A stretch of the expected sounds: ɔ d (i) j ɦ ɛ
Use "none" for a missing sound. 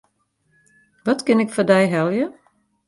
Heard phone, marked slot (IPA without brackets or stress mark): ɛ